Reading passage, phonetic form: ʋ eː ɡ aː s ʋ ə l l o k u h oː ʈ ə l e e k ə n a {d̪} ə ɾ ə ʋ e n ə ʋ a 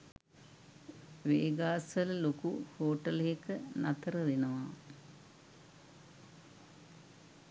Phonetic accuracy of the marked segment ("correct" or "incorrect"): incorrect